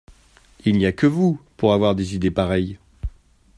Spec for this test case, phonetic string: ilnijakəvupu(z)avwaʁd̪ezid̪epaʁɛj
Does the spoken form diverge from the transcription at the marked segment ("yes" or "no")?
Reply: yes